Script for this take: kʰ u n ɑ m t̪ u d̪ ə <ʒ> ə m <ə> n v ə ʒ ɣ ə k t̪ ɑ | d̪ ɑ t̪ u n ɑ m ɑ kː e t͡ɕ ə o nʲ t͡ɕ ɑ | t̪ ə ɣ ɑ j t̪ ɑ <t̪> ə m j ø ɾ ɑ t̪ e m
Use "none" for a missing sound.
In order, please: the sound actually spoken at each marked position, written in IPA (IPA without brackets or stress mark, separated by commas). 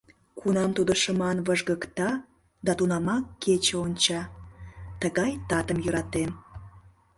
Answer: ʃ, ɑ, t̪